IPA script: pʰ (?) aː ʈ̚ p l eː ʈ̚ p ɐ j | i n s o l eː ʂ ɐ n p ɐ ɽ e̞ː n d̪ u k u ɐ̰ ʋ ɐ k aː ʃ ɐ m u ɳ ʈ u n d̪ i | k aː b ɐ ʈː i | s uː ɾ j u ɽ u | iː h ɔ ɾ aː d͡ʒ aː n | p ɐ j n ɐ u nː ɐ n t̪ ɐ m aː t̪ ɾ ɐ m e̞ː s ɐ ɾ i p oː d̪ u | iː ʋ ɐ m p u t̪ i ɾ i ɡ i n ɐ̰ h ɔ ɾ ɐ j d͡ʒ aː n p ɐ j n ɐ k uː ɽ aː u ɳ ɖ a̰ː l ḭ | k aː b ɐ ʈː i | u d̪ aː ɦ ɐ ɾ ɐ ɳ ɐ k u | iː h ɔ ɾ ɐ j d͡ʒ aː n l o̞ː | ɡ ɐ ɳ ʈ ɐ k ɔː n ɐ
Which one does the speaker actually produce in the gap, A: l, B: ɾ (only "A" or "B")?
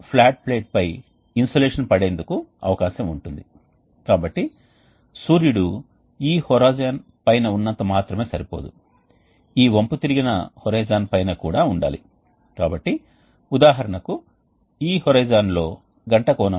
A